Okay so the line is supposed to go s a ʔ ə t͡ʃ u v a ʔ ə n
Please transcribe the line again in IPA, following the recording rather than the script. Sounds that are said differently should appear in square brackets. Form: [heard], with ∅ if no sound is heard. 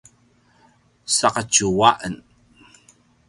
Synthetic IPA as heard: s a [q] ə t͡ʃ u [w] a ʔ ə n